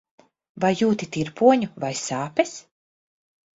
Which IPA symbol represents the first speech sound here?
v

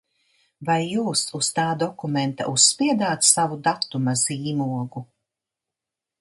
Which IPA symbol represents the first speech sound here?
v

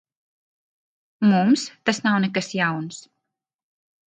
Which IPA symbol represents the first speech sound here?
m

